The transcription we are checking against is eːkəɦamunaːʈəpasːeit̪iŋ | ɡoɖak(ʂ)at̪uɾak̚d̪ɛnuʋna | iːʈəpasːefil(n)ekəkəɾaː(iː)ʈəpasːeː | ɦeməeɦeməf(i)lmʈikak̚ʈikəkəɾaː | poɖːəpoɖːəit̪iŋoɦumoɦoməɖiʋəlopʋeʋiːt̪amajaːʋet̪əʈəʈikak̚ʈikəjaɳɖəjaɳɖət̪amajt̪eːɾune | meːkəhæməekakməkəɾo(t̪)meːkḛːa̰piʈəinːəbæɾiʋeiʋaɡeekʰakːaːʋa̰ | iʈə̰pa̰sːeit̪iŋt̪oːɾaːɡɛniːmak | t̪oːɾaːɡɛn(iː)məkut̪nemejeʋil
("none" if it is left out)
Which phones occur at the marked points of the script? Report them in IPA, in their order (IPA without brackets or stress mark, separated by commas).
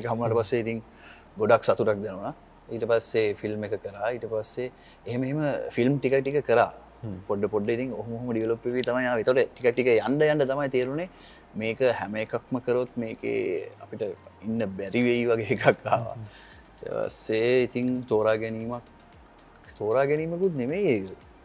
s, m, iː, i, t̪, iː